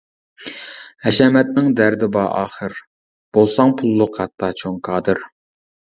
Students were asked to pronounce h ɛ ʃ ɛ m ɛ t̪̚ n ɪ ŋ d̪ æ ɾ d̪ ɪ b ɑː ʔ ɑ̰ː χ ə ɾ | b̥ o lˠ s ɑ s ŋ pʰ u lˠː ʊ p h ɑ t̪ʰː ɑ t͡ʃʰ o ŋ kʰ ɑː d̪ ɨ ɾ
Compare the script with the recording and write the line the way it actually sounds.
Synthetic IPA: h ɛ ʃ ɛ m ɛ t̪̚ n ɪ ŋ d̪ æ ɾ d̪ ɪ b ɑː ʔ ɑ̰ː χ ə ɾ | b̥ o lˠ s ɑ ŋ pʰ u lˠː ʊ q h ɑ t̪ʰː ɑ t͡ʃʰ o ŋ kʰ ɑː d̪ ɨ ɾ